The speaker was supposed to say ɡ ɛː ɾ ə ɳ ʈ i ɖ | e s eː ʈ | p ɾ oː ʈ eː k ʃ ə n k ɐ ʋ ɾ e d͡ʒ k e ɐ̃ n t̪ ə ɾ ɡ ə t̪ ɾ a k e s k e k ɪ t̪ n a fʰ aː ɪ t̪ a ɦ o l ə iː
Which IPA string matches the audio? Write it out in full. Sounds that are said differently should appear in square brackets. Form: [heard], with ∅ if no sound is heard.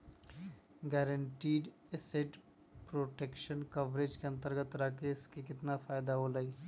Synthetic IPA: ɡ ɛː ɾ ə ɳ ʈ [iː] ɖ | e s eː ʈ | p ɾ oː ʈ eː k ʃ ə n k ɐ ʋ ɾ e d͡ʒ k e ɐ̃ n t̪ ə ɾ ɡ ə t̪ ɾ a k e s k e k ɪ t̪ n a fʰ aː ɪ [d̪] a ɦ o l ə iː